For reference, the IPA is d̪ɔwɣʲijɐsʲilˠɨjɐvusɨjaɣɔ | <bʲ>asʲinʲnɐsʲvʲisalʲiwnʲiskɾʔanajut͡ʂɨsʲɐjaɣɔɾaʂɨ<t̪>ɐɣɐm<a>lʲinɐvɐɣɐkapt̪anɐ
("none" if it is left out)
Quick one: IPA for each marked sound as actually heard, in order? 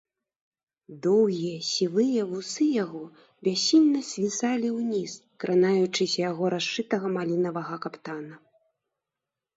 bʲ, t̪, a

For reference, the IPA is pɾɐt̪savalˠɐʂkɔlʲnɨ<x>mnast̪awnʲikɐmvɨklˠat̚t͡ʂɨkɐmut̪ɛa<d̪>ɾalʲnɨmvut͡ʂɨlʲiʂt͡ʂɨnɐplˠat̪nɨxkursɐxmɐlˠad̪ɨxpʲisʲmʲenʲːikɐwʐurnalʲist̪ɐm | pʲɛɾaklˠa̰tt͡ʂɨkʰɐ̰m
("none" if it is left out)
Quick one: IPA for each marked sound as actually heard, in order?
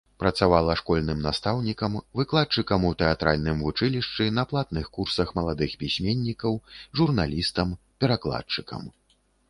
none, t̪

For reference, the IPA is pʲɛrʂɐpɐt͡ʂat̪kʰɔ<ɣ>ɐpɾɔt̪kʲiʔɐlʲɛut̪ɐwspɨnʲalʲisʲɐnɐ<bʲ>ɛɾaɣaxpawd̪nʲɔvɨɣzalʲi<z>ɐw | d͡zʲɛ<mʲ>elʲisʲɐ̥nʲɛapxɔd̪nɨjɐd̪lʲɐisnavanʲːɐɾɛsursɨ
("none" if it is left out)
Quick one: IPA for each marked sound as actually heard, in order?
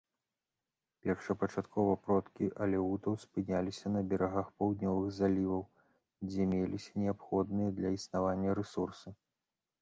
v, bʲ, v, mʲ

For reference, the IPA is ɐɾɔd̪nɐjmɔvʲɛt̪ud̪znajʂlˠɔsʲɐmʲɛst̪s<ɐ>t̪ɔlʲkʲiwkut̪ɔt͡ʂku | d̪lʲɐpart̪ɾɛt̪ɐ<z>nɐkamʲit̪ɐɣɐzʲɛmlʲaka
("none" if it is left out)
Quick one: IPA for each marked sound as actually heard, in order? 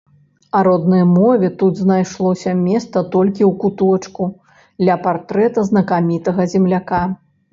ɐ, z

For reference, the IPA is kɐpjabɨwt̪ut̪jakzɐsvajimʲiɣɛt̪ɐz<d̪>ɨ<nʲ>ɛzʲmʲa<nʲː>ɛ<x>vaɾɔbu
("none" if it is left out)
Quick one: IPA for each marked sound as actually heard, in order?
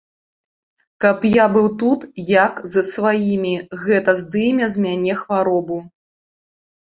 d̪, mʲ, nʲ, x

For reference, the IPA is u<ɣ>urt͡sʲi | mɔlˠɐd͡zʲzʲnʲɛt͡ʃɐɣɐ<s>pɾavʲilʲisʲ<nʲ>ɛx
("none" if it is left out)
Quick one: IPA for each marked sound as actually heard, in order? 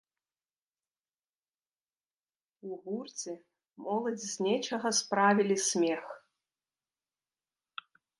ɣ, s, mʲ

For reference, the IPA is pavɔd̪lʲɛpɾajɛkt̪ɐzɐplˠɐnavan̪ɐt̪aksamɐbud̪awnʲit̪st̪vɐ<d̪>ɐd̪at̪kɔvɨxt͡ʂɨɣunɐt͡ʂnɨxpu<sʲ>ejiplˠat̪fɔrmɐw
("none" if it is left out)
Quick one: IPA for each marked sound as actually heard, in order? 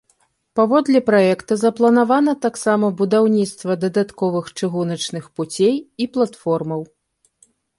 d̪, t͡sʲ

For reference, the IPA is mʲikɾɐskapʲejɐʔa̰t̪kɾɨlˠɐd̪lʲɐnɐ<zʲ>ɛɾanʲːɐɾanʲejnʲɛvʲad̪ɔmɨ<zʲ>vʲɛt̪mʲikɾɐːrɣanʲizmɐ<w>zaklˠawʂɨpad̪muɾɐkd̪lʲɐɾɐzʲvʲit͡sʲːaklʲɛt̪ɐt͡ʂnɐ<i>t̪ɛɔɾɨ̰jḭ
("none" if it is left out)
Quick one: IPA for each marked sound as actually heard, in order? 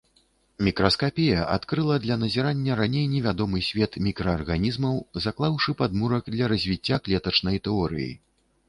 zʲ, sʲ, w, j

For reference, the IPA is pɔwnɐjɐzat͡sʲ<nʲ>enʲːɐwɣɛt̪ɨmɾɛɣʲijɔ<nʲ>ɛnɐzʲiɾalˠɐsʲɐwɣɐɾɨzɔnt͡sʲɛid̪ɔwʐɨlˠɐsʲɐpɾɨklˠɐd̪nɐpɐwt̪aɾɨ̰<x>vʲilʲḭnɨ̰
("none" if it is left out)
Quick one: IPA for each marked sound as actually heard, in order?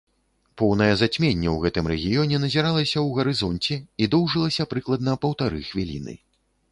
mʲ, nʲ, x

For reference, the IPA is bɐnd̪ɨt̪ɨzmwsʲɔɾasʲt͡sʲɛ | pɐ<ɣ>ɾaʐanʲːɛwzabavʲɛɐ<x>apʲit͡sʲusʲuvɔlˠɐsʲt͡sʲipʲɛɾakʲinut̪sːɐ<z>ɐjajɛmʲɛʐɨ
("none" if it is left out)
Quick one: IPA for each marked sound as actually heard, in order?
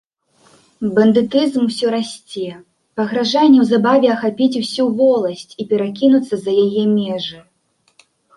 ɣ, x, z

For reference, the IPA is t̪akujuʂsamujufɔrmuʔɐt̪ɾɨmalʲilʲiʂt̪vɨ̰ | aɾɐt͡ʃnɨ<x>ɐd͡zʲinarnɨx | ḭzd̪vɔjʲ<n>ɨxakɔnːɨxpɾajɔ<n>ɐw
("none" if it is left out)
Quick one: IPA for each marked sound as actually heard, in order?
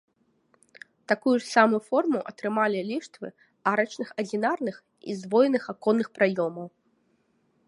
x, n, m

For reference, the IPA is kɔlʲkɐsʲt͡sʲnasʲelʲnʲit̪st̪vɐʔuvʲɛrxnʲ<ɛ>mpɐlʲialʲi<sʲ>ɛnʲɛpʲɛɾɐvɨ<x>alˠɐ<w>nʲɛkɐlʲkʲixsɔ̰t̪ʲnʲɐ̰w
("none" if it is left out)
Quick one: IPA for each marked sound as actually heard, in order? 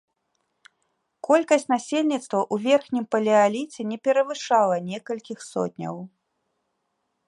i, t͡sʲ, ʂ, none

